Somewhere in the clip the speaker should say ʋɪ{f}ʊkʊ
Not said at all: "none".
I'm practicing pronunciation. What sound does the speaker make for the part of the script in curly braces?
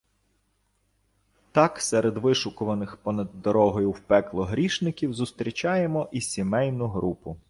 ʃ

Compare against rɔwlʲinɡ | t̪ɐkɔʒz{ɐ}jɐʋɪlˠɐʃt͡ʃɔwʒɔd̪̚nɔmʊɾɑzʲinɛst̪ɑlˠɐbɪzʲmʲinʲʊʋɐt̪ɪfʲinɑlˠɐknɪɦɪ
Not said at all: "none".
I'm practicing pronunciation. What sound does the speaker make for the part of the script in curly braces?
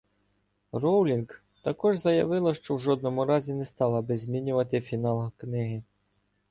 ɐ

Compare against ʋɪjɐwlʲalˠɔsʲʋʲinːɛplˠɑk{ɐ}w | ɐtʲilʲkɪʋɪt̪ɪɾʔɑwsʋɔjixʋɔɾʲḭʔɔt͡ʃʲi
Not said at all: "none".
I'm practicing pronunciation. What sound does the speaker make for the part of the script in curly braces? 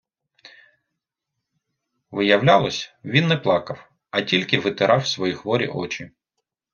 ɐ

